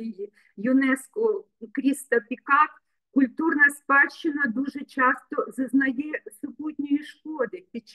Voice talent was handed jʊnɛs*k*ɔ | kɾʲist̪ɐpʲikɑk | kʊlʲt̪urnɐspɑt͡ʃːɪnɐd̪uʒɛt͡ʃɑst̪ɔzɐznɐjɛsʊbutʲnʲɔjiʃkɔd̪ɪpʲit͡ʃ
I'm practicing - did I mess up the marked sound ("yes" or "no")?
no